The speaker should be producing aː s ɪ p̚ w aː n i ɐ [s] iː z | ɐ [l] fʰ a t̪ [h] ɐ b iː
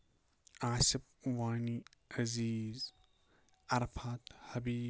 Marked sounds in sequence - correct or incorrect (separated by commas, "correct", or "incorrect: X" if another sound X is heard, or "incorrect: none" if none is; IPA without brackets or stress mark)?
incorrect: z, incorrect: ɾ, correct